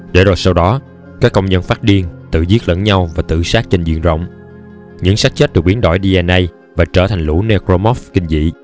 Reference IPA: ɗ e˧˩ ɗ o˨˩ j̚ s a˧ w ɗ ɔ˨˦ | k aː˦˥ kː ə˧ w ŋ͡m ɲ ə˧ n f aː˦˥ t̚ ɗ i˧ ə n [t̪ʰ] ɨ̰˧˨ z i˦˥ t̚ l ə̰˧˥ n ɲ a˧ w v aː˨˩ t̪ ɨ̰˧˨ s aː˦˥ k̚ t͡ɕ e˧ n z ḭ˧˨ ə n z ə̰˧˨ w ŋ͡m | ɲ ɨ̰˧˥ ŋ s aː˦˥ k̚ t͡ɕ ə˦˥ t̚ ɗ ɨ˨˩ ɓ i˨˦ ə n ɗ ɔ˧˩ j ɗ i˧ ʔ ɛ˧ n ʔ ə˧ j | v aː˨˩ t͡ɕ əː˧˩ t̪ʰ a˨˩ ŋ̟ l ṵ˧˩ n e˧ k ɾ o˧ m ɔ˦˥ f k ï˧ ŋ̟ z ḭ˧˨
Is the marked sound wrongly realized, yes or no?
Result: yes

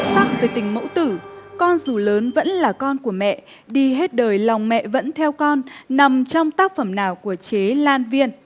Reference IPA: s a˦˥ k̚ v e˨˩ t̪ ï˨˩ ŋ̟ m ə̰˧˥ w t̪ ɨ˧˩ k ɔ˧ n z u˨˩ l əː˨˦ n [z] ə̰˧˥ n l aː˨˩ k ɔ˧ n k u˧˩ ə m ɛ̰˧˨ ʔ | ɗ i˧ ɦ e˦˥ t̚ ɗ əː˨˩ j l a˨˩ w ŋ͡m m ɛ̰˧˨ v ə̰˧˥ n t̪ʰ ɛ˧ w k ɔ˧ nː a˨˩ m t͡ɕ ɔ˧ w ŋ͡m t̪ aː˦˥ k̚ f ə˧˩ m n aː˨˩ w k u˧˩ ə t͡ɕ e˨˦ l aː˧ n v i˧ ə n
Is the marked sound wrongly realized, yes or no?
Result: yes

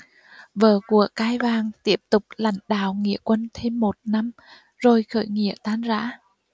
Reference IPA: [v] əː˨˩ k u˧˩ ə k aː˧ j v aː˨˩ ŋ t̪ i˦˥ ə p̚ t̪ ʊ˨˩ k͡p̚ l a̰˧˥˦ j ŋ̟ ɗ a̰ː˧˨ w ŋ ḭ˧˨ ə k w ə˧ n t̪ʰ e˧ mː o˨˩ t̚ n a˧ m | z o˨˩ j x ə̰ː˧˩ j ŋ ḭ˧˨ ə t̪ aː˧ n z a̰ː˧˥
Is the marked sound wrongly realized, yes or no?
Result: no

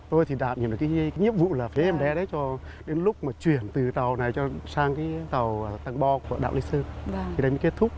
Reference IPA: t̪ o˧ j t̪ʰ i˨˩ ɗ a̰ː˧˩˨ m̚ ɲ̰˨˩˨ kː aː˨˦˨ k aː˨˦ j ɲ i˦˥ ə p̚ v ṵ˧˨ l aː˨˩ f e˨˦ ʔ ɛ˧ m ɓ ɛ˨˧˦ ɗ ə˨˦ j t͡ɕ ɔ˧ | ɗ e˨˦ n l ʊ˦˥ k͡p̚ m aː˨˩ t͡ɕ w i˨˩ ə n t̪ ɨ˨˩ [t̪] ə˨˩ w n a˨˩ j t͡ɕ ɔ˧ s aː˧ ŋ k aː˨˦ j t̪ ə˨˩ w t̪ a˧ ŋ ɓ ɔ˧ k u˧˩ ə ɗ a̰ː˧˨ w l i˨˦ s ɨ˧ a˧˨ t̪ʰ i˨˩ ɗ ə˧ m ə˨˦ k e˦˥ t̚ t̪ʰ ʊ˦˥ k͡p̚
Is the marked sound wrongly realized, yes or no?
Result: no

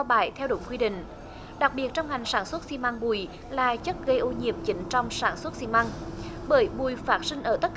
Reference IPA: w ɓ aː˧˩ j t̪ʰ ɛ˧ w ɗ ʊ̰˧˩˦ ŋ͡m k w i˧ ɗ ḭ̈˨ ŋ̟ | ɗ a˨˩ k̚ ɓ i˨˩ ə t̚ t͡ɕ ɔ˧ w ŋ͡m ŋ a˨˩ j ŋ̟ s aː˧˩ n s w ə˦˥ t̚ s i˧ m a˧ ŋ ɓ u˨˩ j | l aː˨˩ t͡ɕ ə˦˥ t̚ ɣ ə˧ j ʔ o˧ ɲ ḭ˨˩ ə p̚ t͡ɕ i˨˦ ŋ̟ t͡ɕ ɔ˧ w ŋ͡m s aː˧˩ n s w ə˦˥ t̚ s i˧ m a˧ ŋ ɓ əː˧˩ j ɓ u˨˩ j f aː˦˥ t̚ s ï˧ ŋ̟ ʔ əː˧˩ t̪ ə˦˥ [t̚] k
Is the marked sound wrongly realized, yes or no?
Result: no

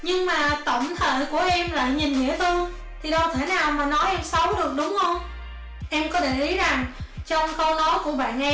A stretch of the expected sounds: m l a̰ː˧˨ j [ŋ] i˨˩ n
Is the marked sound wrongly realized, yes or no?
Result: yes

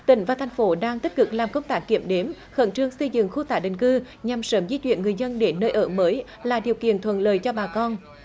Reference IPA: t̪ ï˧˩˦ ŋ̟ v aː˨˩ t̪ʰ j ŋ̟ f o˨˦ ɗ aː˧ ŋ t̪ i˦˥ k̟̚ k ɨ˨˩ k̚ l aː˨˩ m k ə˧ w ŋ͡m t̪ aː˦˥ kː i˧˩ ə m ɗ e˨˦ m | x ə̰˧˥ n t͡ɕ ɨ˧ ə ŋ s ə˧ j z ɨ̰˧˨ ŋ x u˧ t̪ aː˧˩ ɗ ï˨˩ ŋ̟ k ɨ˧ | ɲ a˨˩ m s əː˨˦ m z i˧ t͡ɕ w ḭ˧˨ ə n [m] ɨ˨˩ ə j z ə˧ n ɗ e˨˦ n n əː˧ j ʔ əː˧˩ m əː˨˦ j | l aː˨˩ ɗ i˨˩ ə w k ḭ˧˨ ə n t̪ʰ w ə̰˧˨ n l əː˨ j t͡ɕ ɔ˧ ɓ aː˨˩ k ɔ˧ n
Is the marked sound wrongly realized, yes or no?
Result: yes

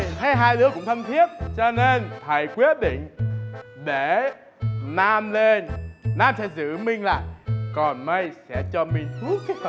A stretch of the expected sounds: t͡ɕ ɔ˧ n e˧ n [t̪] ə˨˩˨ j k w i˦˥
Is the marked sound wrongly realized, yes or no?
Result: yes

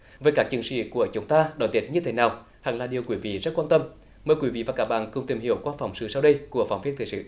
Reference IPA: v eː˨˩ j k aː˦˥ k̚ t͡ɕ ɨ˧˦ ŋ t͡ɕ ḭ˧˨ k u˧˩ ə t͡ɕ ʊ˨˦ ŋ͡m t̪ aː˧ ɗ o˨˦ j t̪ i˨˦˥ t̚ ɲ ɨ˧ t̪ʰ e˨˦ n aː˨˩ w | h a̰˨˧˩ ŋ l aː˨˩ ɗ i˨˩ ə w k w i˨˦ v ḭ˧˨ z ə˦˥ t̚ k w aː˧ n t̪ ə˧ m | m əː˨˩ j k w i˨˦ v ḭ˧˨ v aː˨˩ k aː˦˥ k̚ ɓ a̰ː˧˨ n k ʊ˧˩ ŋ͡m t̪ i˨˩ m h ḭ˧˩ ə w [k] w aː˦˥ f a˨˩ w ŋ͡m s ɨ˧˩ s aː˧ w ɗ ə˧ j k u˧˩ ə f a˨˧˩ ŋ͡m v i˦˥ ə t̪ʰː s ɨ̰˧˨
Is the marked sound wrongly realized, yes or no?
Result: no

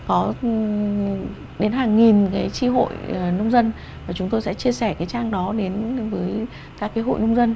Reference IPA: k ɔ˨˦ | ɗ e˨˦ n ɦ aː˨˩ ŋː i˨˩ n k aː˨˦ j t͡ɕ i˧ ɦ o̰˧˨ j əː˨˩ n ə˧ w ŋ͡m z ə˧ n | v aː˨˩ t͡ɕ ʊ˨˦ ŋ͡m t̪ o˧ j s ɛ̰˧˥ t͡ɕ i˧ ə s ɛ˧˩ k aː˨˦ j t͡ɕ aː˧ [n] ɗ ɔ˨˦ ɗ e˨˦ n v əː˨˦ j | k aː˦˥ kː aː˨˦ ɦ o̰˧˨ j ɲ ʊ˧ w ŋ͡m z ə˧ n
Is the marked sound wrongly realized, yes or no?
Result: yes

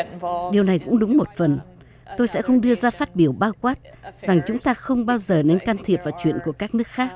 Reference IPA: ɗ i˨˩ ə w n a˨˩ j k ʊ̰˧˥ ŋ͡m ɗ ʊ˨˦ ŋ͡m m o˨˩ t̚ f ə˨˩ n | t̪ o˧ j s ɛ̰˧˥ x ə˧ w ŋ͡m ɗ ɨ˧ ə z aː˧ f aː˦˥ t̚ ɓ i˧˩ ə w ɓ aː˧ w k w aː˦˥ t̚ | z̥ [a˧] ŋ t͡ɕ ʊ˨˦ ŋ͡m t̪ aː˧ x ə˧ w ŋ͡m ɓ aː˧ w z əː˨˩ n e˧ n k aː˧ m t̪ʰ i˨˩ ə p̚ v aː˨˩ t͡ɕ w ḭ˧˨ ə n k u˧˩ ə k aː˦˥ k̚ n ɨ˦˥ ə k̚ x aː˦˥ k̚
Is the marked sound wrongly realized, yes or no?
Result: yes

